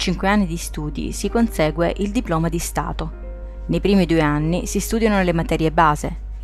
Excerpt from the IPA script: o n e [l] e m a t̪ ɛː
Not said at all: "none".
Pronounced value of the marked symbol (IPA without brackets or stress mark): l